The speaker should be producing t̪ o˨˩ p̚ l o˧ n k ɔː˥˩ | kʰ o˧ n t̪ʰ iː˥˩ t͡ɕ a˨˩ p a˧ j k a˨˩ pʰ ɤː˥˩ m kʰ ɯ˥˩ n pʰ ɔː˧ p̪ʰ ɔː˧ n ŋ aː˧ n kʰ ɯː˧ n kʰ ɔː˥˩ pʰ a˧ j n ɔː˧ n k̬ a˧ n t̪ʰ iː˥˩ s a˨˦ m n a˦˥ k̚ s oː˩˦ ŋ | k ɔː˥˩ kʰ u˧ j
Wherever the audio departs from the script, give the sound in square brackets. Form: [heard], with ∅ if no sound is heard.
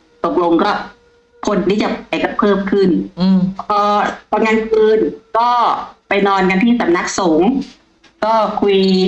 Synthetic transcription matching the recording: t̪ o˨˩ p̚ l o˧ [ŋ] k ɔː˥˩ | kʰ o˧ n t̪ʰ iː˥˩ t͡ɕ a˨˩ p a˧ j k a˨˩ pʰ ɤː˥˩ m kʰ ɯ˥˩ n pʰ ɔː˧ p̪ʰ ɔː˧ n ŋ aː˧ n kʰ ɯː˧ n [k] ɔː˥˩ [p] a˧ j n ɔː˧ n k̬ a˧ n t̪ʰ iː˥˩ s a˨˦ m n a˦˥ k̚ s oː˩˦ ŋ | k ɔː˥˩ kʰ u˧ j